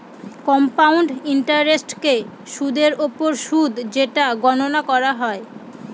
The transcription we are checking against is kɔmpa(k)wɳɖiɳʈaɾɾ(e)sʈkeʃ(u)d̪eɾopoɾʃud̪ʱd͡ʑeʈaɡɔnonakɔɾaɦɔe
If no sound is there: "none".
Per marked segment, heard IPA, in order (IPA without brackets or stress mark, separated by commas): none, e, u